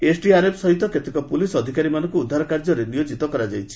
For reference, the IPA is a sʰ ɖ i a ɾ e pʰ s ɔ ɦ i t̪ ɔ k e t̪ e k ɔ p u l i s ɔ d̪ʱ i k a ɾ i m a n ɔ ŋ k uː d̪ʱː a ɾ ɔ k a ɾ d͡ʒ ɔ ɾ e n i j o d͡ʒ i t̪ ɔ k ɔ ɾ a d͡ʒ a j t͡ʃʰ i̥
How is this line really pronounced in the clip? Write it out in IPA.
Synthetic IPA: e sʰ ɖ i a ɾ e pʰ s ɔ ɦ i t̪ ɔ k e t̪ e k ɔ p u l i s ɔ d̪ʱ i k a ɾ i m a n ɔ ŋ k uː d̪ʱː a ɾ ɔ k a ɾ d͡ʒ ɔ ɾ e n i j o d͡ʒ i t̪ ɔ k ɔ ɾ a d͡ʒ a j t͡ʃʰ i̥